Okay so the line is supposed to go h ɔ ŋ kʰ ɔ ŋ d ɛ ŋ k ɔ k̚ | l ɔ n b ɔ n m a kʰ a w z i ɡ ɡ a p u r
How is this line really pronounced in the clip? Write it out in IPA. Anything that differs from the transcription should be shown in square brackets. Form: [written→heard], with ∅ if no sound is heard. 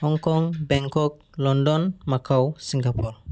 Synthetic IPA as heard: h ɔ ŋ [kʰ→k] ɔ ŋ [d→b] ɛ ŋ k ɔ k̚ | l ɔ n [b→d] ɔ n m a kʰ a w [z→s] i [ɡ→ŋ] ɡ a p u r